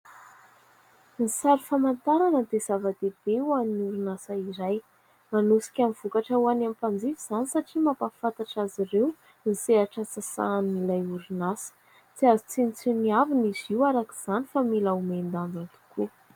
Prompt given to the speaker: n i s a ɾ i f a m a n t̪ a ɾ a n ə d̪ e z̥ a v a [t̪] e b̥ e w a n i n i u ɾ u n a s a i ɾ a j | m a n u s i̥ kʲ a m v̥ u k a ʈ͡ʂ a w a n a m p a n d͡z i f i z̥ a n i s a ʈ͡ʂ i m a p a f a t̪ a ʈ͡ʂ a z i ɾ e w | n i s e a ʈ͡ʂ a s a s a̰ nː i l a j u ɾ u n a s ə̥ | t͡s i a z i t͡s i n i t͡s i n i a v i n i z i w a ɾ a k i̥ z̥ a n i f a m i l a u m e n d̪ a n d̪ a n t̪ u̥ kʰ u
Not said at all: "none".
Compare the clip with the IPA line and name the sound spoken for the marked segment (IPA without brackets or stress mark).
d̪